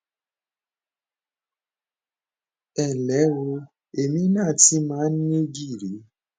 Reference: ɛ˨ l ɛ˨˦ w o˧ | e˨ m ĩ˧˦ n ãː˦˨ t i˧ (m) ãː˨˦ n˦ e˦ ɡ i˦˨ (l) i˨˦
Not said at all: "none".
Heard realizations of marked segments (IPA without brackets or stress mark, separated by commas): m, ɾ